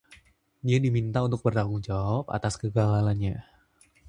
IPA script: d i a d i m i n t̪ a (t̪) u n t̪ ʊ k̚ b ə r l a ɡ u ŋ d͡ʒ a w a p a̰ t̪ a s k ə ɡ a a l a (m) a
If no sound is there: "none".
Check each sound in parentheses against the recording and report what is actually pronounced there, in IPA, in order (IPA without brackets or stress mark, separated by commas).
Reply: none, ɲ